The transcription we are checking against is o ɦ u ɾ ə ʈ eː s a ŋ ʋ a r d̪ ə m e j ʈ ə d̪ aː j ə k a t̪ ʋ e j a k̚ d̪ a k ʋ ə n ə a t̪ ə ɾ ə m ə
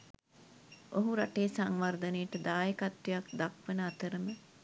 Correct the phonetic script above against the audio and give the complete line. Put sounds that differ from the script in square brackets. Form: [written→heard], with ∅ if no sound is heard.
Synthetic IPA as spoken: o ɦ u ɾ [ə→a] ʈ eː s a ŋ ʋ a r d̪ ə [m→n] e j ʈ ə d̪ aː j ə k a t̪ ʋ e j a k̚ d̪ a k ʋ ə n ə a t̪ ə ɾ ə m ə